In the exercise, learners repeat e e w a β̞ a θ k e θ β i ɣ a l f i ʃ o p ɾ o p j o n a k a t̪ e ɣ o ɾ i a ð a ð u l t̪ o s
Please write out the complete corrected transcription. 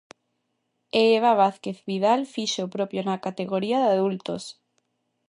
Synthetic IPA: e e β a β̞ a θ k e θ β i ð a l f i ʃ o p ɾ o p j o n a k a t̪ e ɣ o ɾ i a ð a ð u l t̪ o s